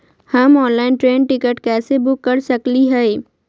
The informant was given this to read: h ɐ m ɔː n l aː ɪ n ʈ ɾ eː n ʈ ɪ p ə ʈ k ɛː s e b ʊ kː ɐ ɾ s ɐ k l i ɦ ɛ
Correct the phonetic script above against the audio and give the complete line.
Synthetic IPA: h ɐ m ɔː n l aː ɪ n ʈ ɾ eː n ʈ ɪ k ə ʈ k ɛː s e b ʊ kː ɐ ɾ s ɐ k l i ɦ ɛ